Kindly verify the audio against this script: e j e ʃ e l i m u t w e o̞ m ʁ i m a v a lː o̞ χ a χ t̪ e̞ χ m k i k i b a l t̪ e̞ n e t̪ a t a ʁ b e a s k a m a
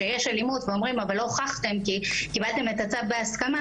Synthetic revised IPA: e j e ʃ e l i m u t v e o̞ m ʁ i m a v a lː o̞ χ a χ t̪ e̞ m k i k i b a l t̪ e̞ m e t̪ a t͡s a v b e a s k a m a

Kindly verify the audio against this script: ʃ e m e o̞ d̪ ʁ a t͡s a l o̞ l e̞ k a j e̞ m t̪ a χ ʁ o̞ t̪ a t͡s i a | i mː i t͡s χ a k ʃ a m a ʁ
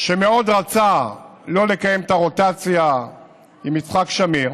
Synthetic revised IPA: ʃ e m e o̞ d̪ ʁ a t͡s a l o̞ l e̞ k a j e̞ m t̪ a ʁ o̞ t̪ a t͡s j a | i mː i t͡s χ a k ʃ a m i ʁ

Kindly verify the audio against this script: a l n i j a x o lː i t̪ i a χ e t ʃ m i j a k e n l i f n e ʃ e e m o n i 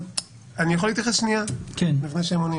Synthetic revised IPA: a n i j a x o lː i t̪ j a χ e s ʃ n i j a k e n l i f n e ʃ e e m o n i

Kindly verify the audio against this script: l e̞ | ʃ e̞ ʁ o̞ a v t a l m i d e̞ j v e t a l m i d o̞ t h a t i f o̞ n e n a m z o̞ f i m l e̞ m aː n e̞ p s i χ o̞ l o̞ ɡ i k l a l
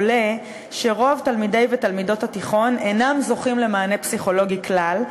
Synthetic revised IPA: l e̞ | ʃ e̞ ʁ o̞ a v t a l m i d e̞ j v e t a l m i d o̞ t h a t i χ o̞ n e n a m z o̞ χ i m l e̞ m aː n e̞ p s i χ o̞ l o̞ ɡ i k l a l

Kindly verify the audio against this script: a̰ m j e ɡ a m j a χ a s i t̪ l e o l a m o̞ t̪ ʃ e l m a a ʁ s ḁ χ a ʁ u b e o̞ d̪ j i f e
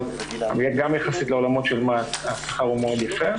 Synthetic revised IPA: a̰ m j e ɡ a m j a χ a s i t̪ l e o l a m o̞ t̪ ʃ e l m a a s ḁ χ a ʁ u m e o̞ d̪ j a f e

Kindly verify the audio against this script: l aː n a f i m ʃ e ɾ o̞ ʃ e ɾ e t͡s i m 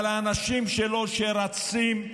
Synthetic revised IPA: l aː n a ʃ i m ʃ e l o̞ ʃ e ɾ a t͡s i m

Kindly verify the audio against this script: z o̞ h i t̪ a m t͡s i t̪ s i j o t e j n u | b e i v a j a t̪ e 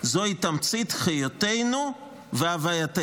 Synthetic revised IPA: z o̞ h i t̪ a m t͡s i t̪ χ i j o t e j n u | v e a v a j a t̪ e

